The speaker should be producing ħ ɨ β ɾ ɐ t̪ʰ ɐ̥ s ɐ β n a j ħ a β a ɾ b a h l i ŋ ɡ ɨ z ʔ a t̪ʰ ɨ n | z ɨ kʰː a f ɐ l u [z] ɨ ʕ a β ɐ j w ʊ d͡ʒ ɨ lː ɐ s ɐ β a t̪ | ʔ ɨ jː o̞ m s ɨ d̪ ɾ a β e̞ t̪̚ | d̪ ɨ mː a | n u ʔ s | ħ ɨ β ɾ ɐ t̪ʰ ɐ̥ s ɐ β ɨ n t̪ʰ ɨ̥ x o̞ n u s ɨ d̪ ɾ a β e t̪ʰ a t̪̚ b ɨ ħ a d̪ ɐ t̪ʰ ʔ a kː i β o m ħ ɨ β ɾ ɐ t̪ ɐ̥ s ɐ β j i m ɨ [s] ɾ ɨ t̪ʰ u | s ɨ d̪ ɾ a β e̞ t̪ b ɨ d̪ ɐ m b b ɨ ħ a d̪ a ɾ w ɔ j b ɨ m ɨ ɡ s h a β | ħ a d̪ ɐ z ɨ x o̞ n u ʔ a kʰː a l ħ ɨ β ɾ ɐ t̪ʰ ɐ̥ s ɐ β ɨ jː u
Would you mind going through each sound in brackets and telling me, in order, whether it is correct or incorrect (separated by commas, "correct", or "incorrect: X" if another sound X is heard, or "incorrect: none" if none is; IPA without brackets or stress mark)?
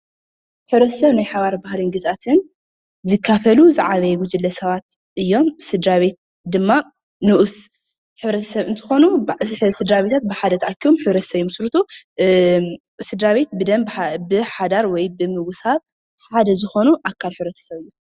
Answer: correct, correct